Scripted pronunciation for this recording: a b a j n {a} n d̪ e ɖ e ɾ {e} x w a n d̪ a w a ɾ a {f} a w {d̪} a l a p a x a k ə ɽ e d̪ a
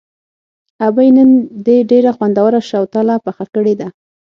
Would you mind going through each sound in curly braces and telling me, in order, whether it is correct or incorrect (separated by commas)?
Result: incorrect, incorrect, incorrect, incorrect